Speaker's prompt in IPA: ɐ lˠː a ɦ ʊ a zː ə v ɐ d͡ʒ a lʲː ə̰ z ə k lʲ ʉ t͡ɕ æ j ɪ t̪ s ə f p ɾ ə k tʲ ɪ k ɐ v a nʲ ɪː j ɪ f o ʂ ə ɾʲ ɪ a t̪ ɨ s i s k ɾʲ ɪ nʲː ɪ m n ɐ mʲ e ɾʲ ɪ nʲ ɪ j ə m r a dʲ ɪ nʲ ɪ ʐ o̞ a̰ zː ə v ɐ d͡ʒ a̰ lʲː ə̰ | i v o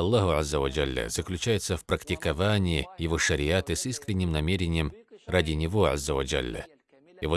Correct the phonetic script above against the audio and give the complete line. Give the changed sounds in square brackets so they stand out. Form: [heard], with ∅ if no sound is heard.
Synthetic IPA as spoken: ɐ lˠː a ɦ ʊ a zː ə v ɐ d͡ʒ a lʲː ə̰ z ə k lʲ ʉ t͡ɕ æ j ɪ t̪ s ə f p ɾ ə k tʲ ɪ k ɐ v a nʲ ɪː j ɪ [v] o ʂ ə ɾʲ ɪ a t̪ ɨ s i s k ɾʲ ɪ nʲː ɪ m n ɐ mʲ e ɾʲ ɪ nʲ ɪ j ə m r a dʲ ɪ nʲ ɪ [v] o̞ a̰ zː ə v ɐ d͡ʒ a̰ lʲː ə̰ | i v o

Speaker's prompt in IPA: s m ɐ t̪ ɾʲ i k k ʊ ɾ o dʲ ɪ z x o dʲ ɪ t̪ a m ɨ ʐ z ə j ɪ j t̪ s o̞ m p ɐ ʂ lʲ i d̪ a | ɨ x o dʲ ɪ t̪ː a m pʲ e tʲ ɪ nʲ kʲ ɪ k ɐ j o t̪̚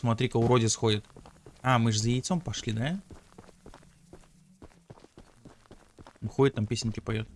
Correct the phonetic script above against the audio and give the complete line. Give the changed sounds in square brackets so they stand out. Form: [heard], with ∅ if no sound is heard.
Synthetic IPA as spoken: s m ɐ t̪ ɾʲ i k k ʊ ɾ o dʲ ɪ [s] x o dʲ ɪ t̪ a m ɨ ʐ z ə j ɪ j t̪ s o̞ m p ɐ ʂ lʲ i d̪ a | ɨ x o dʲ ɪ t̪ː a m pʲ e [sʲ] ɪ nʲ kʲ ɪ [p] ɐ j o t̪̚

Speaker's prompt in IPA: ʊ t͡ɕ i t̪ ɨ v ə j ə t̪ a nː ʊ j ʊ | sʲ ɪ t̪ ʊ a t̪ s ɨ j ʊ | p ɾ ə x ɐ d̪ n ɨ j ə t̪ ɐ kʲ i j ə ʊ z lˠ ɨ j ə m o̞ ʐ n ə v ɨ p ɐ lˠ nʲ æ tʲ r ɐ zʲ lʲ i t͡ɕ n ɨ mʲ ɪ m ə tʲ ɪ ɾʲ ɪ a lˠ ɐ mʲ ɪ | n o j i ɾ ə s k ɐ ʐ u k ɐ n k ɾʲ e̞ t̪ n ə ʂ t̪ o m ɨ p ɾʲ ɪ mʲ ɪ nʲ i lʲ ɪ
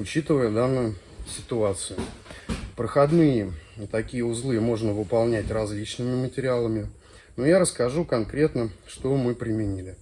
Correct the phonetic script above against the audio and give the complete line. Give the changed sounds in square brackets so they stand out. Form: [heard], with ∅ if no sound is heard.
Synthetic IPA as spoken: ʊ t͡ɕ i t̪ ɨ v ə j ə [d̪] a nː ʊ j ʊ | sʲ ɪ t̪ ʊ a t̪ s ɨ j ʊ | p ɾ ə x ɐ d̪ n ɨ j ə t̪ ɐ kʲ i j ə ʊ z lˠ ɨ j ə m o̞ ʐ n ə v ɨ p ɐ lˠ nʲ æ tʲ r ɐ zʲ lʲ i t͡ɕ n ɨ mʲ ɪ m ə tʲ ɪ ɾʲ ɪ a lˠ [ə] mʲ ɪ | n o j [a] ɾ ə s k ɐ ʐ u k ɐ n k ɾʲ e̞ t̪ n ə ʂ t̪ o m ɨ p ɾʲ ɪ mʲ ɪ nʲ i lʲ ɪ

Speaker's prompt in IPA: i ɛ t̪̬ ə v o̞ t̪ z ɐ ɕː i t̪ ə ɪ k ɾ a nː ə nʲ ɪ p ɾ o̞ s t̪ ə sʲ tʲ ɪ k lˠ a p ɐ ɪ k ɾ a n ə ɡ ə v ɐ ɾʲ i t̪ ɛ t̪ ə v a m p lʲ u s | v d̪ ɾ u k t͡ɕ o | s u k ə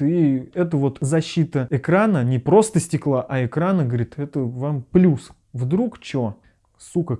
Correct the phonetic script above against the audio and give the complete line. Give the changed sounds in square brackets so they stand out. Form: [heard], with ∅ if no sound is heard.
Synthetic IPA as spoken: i ɛ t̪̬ ə v o̞ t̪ z ɐ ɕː i t̪ ə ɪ k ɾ a [n] ə nʲ ɪ p ɾ o̞ s t̪ ə sʲ tʲ ɪ k lˠ a [ʔ] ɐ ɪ k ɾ a n ə ɡ ə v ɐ ɾʲ i t̪ ɛ t̪ ə v a m p lʲ u s | v d̪ ɾ u k t͡ɕ o | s u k ə

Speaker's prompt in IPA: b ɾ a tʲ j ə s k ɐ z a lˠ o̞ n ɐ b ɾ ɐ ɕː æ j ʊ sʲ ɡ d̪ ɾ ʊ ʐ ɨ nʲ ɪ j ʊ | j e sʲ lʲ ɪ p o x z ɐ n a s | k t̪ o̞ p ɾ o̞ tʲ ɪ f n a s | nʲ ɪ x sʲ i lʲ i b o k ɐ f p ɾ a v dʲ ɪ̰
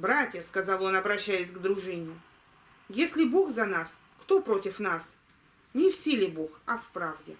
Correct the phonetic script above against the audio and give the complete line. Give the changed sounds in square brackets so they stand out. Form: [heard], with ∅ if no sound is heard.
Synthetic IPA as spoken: b ɾ a tʲ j ə s k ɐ z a lˠ o̞ n ɐ b ɾ ɐ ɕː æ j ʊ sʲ ɡ d̪ ɾ ʊ ʐ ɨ nʲ ɪ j ʊ | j e sʲ lʲ ɪ [b] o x z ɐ n a s | k t̪ o̞ p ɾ o̞ tʲ ɪ f n a s | nʲ ɪ [f] sʲ i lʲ [ɪ] b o [x] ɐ f p ɾ a v dʲ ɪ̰

